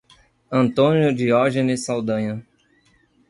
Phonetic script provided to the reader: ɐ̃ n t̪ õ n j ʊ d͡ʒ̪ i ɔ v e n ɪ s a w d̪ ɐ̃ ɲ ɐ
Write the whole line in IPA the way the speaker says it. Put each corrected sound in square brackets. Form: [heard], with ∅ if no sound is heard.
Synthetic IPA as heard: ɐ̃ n t̪ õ n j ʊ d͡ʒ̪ i ɔ [ʒ] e n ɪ s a w d̪ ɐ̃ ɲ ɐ

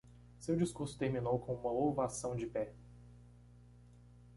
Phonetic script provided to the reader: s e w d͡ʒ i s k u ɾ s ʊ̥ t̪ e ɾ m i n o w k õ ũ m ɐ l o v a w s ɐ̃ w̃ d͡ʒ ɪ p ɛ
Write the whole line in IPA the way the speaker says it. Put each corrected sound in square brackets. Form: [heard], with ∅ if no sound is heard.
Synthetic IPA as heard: s e w d͡ʒ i s k u ɾ s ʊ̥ t̪ e ɾ m i n o w k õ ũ m ɐ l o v a [∅] s ɐ̃ w̃ d͡ʒ ɪ p ɛ

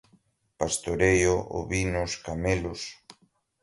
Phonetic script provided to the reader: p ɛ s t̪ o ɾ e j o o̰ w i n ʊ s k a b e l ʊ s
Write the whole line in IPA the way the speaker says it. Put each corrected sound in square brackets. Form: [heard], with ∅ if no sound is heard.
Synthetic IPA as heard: p [a] s t̪ o ɾ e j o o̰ [β] i n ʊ s k a [m] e l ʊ s

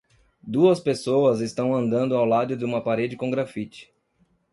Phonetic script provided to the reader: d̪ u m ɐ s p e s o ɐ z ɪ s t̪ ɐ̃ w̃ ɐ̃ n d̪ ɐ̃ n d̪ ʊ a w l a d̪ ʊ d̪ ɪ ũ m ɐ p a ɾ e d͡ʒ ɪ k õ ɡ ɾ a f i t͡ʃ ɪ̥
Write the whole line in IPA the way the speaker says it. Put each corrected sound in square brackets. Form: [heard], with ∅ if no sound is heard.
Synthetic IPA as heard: d̪ u [∅] ɐ s p e s o ɐ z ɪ s t̪ ɐ̃ w̃ ɐ̃ n d̪ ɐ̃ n d̪ ʊ a w l a d̪ ʊ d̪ ɪ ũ m ɐ p a ɾ e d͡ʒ ɪ k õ ɡ ɾ a f i t͡ʃ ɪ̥

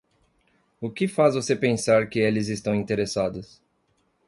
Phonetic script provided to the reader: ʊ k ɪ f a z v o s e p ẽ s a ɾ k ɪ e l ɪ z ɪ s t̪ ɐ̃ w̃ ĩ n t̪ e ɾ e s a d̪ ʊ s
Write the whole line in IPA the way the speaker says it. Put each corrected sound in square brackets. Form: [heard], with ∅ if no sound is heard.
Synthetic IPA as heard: ʊ k ɪ f a z v o s e p ẽ s a ɾ k ɪ e l ɪ z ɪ s t̪ ɐ̃ w̃ ĩ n t̪ e ɾ e s a d̪ ʊ s

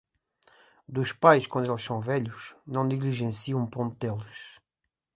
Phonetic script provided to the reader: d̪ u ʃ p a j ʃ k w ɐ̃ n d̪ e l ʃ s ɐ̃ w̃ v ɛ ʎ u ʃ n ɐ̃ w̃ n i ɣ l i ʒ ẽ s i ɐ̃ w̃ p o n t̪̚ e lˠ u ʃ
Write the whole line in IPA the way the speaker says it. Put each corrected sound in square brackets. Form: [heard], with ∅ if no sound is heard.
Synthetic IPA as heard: d̪ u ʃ p a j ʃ k w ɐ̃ n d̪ e l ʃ s ɐ̃ w̃ v ɛ ʎ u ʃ n ɐ̃ w̃ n i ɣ l i ʒ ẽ s i ɐ̃ w̃ p [õ] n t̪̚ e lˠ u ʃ

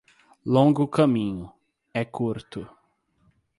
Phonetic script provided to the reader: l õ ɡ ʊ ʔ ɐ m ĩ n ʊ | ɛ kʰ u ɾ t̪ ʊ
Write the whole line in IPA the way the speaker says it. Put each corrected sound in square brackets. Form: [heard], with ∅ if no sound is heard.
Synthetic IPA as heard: l õ ɡ ʊ [k] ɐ m ĩ [ɲ] ʊ | ɛ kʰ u ɾ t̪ ʊ

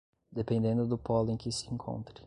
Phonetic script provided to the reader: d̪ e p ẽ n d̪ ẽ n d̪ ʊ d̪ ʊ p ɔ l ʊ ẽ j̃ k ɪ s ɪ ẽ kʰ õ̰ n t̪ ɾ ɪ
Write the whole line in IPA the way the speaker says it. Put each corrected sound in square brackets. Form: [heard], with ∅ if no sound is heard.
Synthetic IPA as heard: d̪ e p ẽ n d̪ ẽ n d̪ ʊ d̪ ʊ p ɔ l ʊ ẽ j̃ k ɪ s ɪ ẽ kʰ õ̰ n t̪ ɾ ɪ

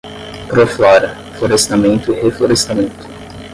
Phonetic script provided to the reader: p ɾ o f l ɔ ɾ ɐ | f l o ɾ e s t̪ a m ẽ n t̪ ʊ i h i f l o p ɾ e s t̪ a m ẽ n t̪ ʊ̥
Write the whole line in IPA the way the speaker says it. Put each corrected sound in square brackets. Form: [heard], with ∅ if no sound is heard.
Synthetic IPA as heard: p ɾ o f l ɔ ɾ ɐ | f l o ɾ e s t̪ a m ẽ n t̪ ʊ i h [e] f l o [∅] ɾ e s t̪ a m ẽ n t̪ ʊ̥

